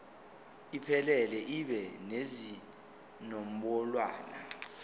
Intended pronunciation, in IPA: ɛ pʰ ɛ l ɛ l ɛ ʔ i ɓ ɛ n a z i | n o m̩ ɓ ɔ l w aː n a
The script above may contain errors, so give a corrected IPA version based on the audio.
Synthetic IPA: i pʰ ɛ l ɛ l ɛ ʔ i ɓ ɛ n e z i | n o m̩ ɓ ɔ l w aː n a